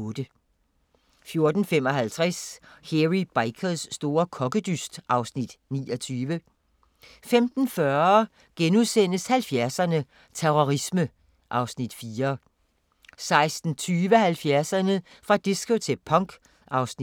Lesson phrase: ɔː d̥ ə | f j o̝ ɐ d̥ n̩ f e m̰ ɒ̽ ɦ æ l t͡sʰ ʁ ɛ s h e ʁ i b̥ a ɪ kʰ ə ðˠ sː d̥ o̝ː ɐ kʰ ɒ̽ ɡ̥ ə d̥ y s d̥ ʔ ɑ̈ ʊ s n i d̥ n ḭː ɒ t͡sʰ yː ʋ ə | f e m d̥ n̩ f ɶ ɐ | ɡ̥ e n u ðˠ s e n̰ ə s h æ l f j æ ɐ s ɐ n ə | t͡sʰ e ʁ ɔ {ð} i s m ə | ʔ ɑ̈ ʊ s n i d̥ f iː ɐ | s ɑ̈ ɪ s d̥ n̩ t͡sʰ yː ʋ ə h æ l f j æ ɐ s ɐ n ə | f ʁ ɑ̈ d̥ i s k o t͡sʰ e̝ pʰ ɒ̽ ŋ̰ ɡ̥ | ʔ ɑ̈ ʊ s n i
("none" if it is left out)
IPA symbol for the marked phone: ʁ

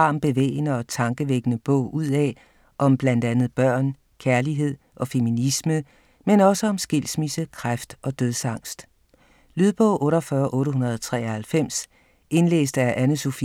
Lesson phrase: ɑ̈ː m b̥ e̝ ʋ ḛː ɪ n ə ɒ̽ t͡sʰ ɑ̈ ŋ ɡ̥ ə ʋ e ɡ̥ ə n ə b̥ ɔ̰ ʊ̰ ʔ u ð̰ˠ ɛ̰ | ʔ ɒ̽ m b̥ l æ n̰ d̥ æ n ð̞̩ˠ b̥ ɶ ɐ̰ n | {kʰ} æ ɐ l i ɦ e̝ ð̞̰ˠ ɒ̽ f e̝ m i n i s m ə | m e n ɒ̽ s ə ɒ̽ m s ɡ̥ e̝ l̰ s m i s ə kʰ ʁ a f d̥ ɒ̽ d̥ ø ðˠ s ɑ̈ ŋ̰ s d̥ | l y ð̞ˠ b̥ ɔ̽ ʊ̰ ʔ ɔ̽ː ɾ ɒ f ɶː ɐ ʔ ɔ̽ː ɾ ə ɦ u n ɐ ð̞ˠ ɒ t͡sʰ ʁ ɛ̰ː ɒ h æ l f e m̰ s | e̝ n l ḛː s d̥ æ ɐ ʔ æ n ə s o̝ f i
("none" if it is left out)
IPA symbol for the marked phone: kʰ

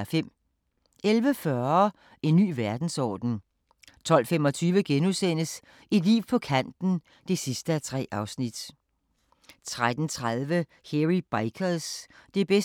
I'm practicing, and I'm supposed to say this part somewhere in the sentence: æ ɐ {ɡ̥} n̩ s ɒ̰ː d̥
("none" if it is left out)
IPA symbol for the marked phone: d̥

